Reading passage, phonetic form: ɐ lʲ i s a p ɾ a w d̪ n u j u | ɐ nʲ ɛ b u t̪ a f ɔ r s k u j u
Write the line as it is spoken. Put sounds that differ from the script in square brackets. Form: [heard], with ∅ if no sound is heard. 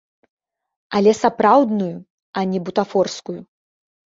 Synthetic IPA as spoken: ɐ lʲ [ɛ] s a p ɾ a w d̪ n u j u | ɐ nʲ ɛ b u t̪ a f ɔ r s k u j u